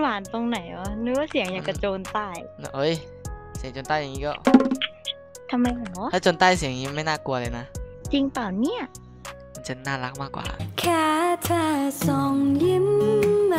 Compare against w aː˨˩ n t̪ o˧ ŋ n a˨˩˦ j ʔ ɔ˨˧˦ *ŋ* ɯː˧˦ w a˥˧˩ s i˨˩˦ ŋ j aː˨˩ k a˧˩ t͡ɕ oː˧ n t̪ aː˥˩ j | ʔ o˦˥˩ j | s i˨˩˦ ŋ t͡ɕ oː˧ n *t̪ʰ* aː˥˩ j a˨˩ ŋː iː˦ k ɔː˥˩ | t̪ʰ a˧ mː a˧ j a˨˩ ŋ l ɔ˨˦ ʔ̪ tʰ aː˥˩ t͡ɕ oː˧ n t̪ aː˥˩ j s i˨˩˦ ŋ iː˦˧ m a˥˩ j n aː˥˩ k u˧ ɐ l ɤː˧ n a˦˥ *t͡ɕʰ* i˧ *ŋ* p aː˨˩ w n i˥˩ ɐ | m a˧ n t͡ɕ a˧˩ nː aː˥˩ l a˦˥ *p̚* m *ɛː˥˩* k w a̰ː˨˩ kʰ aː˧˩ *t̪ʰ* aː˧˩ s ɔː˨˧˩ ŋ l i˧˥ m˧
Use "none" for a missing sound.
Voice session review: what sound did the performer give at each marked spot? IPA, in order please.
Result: n, t̪, t͡ɕ, ŋ, k̚, aː˥˩, t̪ʰ

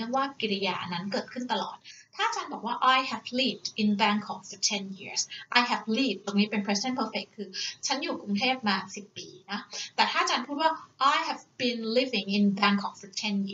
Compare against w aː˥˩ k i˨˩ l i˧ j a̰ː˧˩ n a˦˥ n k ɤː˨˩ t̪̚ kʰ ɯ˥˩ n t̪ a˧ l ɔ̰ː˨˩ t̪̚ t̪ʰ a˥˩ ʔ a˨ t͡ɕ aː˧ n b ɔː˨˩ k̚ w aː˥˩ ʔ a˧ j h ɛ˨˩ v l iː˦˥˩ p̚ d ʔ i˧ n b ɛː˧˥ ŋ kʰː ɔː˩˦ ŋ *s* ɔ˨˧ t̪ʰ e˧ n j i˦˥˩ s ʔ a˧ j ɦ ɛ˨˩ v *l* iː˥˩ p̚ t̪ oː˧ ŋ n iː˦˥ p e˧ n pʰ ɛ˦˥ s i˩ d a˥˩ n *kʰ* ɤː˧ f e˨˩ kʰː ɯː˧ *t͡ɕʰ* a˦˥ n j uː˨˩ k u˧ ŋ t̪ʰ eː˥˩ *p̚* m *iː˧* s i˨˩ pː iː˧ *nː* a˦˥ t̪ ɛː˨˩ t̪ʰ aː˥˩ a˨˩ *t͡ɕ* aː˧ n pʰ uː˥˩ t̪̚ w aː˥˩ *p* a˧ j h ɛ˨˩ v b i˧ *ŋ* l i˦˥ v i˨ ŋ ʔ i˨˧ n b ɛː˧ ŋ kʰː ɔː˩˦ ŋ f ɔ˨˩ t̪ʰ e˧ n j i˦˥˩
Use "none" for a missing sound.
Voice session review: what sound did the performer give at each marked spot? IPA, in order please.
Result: f, l, pʰ, t͡ɕʰ, p̚, aː˧, n, t͡ɕ, ʔ, n

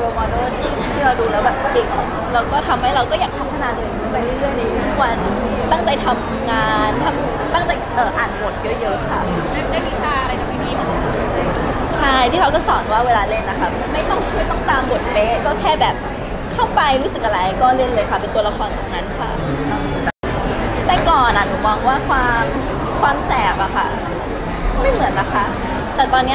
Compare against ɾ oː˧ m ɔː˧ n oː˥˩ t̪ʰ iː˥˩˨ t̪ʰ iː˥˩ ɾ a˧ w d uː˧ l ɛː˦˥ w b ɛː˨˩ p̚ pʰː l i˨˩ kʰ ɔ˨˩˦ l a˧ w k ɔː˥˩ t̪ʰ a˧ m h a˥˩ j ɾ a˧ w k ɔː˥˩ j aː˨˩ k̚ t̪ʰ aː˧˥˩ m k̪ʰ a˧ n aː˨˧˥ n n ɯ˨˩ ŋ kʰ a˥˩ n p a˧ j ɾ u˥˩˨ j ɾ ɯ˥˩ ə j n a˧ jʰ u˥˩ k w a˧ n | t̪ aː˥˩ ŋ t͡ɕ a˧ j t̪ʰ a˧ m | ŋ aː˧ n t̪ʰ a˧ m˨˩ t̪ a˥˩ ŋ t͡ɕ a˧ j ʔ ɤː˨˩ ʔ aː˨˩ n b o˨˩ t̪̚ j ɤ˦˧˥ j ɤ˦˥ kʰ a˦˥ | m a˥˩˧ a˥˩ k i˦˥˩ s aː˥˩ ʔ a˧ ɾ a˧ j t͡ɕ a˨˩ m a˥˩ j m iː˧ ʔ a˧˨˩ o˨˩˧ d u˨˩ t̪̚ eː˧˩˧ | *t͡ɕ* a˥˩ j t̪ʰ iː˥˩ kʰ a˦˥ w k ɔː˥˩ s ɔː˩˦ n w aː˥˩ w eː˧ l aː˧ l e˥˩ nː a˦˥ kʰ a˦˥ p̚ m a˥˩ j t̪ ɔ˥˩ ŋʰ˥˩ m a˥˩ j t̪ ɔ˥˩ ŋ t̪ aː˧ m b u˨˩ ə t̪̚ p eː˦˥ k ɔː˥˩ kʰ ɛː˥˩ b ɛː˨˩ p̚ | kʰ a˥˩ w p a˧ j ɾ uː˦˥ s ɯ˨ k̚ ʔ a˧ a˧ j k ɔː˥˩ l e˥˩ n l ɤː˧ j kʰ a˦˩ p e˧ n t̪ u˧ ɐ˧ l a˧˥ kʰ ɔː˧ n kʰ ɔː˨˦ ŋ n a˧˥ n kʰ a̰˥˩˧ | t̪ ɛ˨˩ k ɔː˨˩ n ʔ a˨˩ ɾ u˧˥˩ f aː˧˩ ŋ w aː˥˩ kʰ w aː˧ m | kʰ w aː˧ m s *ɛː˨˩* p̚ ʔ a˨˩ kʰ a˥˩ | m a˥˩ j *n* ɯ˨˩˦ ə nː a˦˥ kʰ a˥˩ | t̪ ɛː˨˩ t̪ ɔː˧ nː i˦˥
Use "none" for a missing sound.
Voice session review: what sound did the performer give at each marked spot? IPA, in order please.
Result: t͡ɕʰ, ɛː˨˩, m

